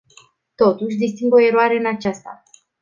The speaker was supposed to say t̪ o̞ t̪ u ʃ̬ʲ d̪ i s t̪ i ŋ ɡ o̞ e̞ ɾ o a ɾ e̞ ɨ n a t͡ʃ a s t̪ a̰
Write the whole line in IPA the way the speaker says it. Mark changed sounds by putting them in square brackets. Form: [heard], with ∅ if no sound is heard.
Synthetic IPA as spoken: t̪ o̞ t̪ u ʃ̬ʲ d̪ i s t̪ i ŋ ɡ o̞ e̞ ɾ o a ɾ e̞ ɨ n a t͡ʃ a s t̪ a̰

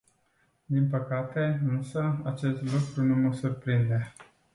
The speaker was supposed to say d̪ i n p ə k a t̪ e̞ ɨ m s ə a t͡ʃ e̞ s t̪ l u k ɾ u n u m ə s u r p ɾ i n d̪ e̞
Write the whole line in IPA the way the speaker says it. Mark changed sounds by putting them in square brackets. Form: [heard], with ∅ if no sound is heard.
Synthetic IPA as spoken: d̪ i n p ə k a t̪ e̞ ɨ [n] s ə a t͡ʃ e̞ s t̪ l u k ɾ u n u m ə s u r p ɾ i n d̪ e̞

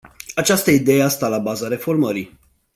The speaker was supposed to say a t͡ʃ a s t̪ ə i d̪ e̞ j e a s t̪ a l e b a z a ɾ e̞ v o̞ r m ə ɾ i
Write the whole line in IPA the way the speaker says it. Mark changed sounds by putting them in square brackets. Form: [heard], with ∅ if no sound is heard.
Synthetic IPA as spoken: a t͡ʃ a s t̪ ə i d̪ e̞ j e a s t̪ a l [a] b a z a ɾ e̞ [f] o̞ r m ə ɾ i

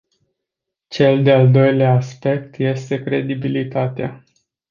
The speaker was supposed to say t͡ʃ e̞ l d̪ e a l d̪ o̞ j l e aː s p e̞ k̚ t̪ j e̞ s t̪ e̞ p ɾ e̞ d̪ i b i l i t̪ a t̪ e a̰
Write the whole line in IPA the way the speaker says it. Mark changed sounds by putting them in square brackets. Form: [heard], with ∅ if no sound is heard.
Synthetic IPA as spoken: t͡ʃ e̞ l d̪ e a l d̪ o̞ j l e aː s p e̞ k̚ t̪ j e̞ s t̪ e̞ [k] ɾ e̞ d̪ i b i l i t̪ a t̪ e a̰

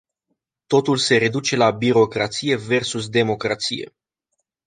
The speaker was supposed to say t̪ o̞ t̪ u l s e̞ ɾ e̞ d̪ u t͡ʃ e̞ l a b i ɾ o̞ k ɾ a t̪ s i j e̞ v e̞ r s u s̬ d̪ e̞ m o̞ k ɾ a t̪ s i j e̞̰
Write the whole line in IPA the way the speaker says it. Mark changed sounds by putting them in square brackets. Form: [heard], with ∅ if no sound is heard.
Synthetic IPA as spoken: t̪ o̞ t̪ u l s e̞ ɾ e̞ d̪ u t͡ʃ e̞ l a b i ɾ o̞ k ɾ a t̪ s i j e̞ v e̞ r s u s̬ d̪ e̞ m o̞ k ɾ a t̪ s i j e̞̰

